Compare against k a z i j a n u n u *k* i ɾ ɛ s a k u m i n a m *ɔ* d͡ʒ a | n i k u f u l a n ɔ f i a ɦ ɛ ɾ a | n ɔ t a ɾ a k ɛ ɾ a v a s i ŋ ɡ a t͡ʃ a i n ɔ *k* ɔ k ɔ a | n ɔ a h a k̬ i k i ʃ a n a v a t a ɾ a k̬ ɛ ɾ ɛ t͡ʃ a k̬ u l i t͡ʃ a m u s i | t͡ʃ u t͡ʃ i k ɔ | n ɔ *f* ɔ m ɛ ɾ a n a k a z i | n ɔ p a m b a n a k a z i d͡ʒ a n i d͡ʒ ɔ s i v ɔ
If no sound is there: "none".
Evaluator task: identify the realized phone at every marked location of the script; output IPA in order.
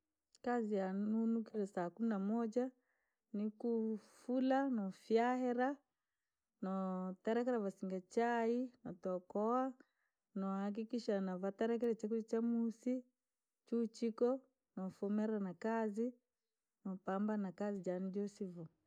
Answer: k, ɔ, t, f

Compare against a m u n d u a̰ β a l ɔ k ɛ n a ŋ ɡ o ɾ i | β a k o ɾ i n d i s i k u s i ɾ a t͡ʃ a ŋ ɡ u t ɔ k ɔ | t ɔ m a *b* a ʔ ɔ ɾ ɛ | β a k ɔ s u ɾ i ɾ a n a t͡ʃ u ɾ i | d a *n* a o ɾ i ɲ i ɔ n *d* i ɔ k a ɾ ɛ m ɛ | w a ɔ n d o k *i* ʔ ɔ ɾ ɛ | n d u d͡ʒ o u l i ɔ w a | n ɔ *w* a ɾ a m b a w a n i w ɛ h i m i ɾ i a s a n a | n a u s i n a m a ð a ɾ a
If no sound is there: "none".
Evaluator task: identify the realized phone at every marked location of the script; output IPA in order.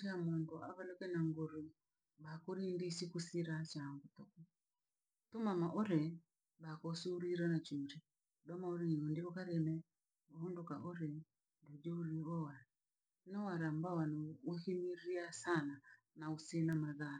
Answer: m, m, d, a, w

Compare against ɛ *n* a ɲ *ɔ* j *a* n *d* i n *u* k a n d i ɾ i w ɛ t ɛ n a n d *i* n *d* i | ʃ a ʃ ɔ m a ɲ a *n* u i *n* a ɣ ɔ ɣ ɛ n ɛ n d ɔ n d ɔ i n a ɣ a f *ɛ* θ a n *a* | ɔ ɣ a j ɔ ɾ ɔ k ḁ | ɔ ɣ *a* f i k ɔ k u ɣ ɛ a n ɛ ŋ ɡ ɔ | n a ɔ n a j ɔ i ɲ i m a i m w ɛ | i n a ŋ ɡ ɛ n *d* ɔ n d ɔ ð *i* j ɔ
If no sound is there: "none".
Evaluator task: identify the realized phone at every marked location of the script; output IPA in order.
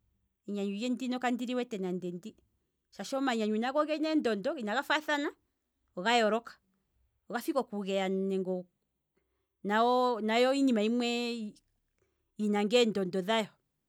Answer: ɲ, u, ɛ, d, ɔ, ɛ, d, ɲ, n, a, a, a, d, a

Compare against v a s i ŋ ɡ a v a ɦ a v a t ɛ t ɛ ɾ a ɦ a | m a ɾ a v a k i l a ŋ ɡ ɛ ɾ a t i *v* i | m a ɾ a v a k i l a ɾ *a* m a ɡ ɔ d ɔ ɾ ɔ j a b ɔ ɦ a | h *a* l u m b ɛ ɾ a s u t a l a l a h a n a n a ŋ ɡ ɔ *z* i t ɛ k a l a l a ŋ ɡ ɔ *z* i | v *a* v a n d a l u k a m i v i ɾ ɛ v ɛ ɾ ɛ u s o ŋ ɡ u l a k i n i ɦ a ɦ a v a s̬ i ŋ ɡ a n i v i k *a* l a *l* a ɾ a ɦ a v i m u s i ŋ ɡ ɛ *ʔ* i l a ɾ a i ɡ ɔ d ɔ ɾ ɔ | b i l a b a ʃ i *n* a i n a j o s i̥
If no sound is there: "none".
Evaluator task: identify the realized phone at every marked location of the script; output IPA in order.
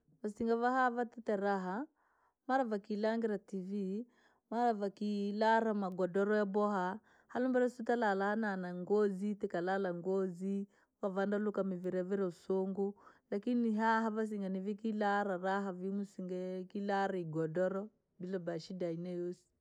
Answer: v, a, a, z, z, a, i, ɾ, k, d

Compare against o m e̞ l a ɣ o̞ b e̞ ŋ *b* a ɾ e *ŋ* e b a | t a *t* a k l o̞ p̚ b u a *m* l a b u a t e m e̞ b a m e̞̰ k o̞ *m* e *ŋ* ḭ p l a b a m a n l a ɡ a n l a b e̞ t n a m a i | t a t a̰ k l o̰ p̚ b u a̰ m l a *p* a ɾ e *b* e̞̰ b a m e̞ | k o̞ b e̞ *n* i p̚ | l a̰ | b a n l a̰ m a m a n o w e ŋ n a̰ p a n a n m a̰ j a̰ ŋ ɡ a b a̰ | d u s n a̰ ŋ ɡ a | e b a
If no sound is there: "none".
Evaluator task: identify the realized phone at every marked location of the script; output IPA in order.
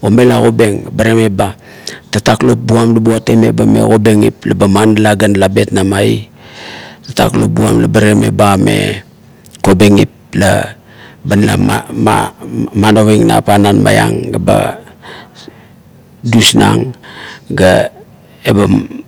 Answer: b, m, t, m, b, ŋ, b, m, ŋ

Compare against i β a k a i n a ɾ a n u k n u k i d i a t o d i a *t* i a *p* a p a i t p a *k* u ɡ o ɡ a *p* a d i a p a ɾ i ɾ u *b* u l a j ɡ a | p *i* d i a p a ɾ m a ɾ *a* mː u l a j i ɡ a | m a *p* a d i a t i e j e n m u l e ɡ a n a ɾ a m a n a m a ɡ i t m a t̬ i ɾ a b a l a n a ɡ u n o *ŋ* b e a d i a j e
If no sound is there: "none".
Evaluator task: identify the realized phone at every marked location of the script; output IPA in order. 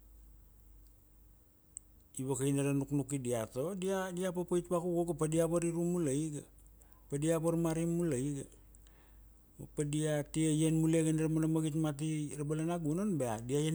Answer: d, p, k, p, m, a, i, p, n

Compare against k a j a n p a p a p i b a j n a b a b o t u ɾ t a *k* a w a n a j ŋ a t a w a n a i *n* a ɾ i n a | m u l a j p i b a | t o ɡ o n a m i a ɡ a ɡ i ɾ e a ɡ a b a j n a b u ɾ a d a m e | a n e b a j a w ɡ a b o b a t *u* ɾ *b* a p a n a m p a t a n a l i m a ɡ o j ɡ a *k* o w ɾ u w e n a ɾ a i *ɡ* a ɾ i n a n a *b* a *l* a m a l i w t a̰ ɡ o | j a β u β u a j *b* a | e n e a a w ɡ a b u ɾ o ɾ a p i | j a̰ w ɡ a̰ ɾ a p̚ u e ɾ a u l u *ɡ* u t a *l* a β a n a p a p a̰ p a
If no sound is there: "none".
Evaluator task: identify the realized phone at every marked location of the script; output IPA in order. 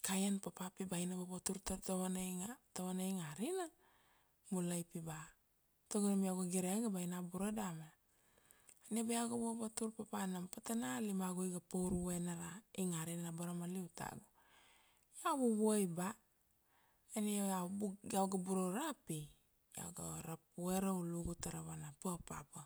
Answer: t, ŋ, u, p, p, ŋ, b, ɾ, b, ɡ, ɾ

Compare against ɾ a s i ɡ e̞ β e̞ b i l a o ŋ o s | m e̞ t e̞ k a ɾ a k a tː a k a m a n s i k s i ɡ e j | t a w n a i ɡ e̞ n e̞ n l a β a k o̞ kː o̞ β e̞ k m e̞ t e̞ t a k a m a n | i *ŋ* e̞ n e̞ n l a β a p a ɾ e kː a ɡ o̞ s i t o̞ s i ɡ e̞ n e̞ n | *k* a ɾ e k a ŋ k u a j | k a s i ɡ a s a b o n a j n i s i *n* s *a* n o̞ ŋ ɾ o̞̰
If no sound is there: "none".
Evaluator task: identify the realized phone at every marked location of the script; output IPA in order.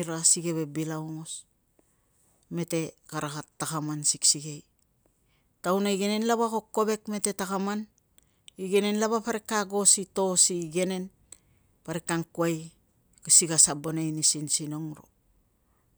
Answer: ɡ, p, n, i

